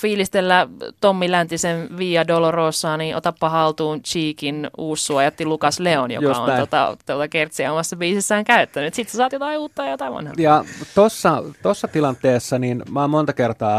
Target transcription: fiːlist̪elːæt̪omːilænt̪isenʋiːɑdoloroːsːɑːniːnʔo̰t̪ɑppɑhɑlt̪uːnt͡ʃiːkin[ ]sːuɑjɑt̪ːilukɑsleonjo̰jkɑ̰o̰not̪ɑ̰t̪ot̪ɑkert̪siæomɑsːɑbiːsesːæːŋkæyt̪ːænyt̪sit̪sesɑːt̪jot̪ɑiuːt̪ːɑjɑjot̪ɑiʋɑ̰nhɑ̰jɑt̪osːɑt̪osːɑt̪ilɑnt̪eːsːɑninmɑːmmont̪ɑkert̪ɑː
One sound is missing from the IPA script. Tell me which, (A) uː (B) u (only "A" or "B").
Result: A